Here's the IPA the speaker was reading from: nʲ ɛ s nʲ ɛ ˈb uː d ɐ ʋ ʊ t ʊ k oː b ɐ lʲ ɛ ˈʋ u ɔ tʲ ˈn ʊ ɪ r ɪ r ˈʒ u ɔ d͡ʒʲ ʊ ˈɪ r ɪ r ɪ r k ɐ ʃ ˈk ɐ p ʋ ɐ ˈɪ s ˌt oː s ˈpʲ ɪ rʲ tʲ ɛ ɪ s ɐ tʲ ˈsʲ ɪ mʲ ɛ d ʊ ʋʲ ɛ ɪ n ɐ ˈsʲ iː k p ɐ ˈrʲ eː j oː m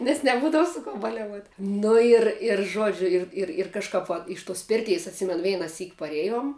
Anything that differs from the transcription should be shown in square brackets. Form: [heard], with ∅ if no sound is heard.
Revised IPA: nʲ ɛ s nʲ ɛ ˈb uː d ɐ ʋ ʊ [s] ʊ k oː b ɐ lʲ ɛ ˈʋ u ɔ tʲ ˈn ʊ ɪ r ɪ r ˈʒ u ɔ d͡ʒʲ ʊ ˈɪ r ɪ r ɪ r k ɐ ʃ ˈk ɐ p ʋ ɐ ˈɪ [ʃ] ˌt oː s ˈpʲ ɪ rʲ tʲ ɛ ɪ s ɐ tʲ ˈsʲ ɪ mʲ ɛ [n] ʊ ʋʲ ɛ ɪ n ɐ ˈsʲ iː k p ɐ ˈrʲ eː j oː m